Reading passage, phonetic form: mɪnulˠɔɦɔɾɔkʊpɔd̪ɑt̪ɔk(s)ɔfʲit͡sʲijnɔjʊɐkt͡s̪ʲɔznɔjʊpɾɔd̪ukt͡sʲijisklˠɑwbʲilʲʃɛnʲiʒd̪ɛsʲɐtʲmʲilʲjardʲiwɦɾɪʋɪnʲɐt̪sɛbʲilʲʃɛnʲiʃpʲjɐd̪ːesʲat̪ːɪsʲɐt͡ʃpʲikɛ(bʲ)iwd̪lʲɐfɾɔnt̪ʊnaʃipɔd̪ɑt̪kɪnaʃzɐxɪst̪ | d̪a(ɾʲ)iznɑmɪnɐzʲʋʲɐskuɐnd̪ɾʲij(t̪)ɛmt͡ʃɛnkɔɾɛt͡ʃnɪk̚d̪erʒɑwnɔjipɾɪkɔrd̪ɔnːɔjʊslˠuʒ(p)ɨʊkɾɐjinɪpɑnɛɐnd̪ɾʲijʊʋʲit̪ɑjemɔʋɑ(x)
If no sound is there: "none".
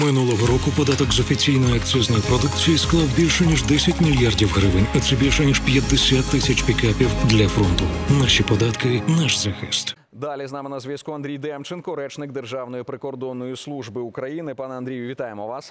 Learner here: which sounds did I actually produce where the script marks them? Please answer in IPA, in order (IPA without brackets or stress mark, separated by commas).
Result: z, pʲ, lʲ, d̪, b, s